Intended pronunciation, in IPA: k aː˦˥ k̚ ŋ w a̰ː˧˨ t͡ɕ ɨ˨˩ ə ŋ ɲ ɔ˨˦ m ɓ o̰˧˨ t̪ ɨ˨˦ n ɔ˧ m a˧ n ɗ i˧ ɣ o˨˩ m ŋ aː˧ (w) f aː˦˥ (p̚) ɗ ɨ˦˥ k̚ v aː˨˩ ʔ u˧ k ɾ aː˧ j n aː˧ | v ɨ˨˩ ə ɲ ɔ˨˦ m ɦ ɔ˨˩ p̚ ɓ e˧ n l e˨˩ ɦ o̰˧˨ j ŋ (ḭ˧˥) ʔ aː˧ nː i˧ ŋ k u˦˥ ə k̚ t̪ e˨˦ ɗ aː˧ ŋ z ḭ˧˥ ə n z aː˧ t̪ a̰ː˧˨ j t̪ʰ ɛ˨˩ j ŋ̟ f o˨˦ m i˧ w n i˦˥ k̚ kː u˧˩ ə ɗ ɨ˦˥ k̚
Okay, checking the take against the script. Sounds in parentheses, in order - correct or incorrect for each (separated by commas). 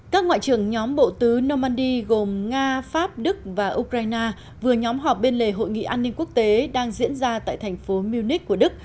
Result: incorrect, correct, incorrect